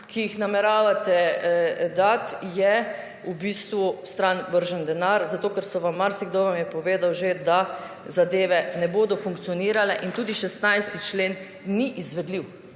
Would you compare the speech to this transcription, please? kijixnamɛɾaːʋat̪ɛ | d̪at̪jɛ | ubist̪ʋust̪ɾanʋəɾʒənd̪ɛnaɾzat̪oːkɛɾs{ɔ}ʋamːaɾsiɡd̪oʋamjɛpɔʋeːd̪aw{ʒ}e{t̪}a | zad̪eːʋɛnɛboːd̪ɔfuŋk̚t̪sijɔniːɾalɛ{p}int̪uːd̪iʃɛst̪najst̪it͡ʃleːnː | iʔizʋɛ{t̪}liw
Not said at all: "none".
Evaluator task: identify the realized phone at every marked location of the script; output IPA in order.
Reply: ɔ, ʒ, d̪, ʔ, d̪

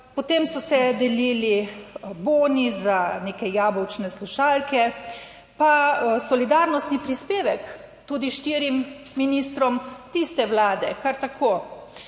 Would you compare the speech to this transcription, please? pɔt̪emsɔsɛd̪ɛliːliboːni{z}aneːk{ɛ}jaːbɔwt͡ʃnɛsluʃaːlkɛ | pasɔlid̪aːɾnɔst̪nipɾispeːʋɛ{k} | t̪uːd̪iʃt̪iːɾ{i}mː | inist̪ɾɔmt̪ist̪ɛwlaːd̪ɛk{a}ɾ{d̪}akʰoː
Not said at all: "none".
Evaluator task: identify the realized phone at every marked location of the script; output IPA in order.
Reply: z, ɛ, k, i, a, t̪

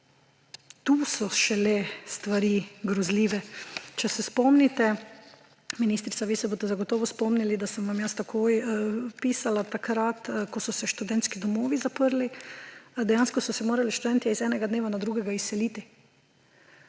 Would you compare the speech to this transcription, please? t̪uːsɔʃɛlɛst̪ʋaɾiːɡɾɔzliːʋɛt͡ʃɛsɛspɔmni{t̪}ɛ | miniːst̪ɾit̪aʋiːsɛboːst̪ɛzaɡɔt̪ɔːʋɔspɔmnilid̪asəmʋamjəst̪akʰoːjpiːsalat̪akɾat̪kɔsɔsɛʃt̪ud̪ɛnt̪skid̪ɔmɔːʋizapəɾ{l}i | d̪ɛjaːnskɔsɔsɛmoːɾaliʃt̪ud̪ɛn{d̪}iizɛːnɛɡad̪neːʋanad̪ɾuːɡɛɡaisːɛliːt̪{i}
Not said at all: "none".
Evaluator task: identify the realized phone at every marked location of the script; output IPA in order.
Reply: t̪, l, t̪, i

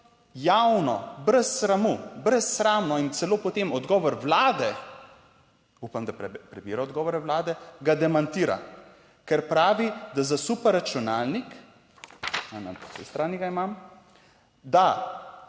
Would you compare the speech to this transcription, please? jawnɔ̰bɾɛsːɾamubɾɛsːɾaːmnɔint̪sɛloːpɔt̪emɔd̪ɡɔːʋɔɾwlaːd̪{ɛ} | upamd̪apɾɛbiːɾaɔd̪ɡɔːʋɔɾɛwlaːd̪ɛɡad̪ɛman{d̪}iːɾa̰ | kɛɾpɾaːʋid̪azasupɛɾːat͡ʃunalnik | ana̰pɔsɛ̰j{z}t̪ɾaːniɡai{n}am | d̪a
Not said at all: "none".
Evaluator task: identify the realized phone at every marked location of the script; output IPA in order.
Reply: ɛ, t̪, s, m

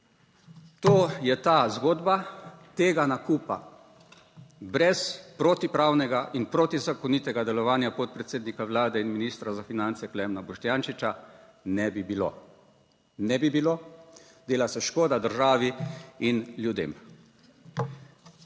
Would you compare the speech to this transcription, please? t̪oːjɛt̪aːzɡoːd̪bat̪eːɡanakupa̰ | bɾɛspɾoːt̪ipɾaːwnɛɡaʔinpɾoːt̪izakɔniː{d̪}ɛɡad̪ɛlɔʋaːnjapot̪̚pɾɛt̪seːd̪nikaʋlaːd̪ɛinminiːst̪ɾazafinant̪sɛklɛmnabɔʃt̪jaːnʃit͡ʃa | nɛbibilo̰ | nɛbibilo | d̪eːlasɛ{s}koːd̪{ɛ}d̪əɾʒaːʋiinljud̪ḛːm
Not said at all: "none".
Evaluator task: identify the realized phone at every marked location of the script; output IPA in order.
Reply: t̪, ʃ, a

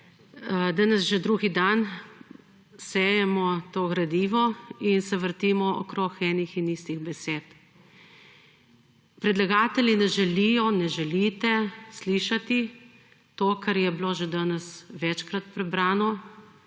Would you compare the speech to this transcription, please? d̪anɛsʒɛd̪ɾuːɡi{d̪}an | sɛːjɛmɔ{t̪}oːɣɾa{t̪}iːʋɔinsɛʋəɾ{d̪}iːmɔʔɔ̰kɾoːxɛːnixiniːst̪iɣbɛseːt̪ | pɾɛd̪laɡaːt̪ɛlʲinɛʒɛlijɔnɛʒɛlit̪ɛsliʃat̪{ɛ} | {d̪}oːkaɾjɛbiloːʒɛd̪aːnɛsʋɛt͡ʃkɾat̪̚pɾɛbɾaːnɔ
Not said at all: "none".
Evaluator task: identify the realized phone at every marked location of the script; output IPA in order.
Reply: d̪, t̪, d̪, t̪, i, t̪

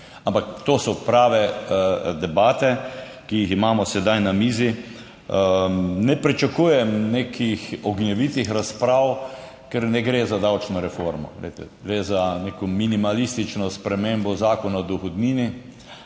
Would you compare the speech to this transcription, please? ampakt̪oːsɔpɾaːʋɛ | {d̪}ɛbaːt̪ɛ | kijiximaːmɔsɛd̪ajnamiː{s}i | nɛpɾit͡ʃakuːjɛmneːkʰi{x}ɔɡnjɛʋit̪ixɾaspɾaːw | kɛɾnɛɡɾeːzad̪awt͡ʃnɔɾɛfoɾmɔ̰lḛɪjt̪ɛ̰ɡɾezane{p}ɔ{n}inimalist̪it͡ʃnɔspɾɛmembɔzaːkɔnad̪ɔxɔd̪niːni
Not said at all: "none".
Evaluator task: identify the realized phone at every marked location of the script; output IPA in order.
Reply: d̪, z, x, k, m

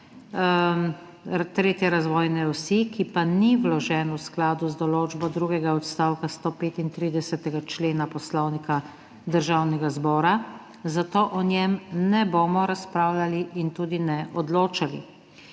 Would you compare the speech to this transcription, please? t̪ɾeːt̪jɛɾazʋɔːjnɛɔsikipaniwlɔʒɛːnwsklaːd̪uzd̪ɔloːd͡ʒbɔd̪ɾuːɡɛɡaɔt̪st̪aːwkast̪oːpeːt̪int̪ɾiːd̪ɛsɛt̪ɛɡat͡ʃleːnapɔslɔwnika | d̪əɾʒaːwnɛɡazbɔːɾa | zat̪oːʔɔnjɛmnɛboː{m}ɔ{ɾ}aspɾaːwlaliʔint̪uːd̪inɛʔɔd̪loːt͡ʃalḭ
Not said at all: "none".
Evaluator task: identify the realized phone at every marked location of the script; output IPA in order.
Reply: m, ɾ

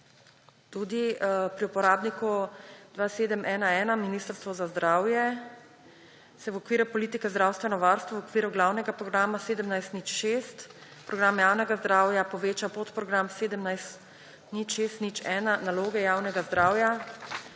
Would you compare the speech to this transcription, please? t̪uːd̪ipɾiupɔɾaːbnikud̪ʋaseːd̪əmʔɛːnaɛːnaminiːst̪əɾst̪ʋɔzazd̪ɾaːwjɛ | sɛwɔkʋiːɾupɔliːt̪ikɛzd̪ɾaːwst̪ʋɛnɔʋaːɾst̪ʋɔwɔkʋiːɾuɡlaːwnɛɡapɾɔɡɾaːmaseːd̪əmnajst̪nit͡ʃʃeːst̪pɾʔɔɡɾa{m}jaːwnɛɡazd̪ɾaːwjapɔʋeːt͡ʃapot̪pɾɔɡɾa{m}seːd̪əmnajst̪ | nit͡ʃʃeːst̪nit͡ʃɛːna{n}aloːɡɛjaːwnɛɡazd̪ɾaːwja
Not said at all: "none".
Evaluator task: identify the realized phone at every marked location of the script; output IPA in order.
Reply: m, m, n

